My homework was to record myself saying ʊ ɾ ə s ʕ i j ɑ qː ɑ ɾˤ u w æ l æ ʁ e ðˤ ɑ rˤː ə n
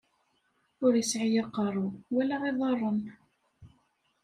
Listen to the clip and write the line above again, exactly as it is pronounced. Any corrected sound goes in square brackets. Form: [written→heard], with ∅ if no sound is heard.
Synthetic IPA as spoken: ʊ ɾ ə s ʕ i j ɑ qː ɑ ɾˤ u w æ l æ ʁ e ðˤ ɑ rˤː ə n